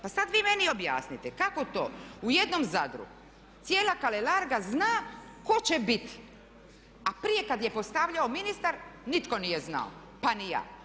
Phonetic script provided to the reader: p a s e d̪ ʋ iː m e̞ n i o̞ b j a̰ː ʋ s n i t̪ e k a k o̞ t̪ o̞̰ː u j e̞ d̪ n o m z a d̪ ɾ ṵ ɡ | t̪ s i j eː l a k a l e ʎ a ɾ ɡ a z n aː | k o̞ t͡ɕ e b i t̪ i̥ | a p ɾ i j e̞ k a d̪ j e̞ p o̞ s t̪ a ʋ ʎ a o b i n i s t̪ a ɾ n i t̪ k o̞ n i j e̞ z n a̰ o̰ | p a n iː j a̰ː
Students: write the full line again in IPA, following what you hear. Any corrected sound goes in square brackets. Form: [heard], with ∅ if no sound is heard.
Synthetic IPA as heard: p a s [a] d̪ ʋ iː m e̞ n i o̞ b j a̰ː [∅] s n i t̪ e k a k o̞ t̪ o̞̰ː u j e̞ d̪ n o m z a d̪ ɾ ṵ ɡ | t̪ s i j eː l a k a l e [l] a ɾ ɡ a z n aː | k o̞ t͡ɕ e b i t̪ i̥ | a p ɾ i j e̞ k a d̪ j e̞ p o̞ s t̪ a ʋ ʎ a o [m] i n i s t̪ a ɾ n i t̪ k o̞ n i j e̞ z n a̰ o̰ | p a n [i] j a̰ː